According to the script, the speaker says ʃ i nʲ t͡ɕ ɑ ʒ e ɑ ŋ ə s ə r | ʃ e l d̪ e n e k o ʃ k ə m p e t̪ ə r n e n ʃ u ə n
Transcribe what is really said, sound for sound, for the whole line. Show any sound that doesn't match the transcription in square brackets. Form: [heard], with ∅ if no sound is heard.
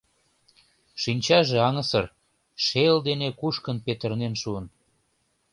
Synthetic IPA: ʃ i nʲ t͡ɕ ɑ ʒ e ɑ ŋ ə s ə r | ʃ e l d̪ e n e k [u] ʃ k ə [n] p e t̪ ə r n e n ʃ u ə n